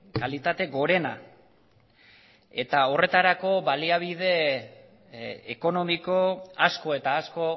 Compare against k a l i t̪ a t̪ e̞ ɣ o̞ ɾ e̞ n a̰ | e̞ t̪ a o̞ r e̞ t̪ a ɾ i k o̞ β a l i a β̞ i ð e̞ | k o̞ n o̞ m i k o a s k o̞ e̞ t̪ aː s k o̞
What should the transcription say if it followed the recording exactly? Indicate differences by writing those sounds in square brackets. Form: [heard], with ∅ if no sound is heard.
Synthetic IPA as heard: k a l i t̪ a t̪ e̞ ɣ o̞ ɾ e̞ n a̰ | e̞ t̪ a o̞ r e̞ t̪ a ɾ [a] k o̞ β a l i a β̞ i ð e̞ | k o̞ n o̞ m i k o a s k o̞ e̞ t̪ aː s k o̞